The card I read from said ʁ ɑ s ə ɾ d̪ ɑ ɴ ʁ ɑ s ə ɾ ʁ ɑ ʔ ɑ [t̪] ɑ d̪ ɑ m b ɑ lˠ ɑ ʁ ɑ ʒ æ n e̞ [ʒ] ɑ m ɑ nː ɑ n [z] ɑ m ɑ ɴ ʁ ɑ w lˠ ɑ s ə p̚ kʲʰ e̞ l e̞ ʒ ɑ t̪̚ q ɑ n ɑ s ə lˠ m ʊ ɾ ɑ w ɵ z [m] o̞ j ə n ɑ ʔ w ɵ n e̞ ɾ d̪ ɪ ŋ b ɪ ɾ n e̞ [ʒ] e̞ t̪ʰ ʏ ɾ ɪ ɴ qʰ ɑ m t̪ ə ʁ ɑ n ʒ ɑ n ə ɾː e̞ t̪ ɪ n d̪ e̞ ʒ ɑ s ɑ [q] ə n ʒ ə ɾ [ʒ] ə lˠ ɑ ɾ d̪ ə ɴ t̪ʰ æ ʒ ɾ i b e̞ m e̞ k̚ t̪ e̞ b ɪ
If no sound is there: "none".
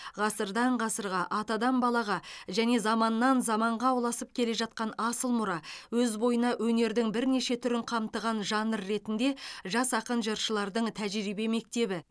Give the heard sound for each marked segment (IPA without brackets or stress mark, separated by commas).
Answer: t̪, z, z, b, ʃ, q, ʃ